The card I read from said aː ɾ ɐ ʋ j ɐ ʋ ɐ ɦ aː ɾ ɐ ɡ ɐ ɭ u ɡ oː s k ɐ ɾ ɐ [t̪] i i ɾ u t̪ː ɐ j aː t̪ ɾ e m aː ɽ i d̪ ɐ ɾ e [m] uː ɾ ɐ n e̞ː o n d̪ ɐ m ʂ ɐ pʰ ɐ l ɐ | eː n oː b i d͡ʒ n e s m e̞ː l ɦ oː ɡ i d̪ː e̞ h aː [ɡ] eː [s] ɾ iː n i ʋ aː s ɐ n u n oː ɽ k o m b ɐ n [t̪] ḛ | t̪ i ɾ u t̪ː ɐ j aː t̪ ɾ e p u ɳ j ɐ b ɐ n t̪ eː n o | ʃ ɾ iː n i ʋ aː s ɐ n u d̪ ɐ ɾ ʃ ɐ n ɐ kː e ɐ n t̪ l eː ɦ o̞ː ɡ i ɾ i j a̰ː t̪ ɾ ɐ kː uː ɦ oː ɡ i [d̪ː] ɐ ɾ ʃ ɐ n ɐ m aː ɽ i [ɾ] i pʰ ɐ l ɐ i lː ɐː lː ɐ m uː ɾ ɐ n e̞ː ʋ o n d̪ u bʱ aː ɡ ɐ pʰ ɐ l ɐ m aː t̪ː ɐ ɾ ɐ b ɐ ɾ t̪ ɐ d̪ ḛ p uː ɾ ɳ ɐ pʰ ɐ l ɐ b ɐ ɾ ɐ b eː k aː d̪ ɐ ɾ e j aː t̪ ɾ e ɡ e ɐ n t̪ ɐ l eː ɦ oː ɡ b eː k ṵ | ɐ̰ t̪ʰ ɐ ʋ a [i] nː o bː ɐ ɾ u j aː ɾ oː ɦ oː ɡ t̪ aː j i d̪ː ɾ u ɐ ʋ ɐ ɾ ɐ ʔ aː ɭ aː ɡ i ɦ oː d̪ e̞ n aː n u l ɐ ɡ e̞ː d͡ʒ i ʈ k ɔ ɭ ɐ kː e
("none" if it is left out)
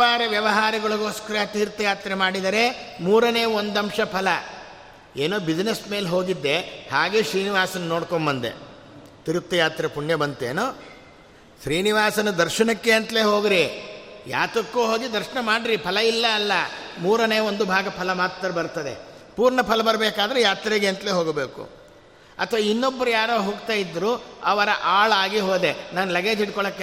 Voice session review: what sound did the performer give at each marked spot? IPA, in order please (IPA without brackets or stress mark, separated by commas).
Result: t̪, m, ɡ, ʃ, d̪, d̪, ɾ, i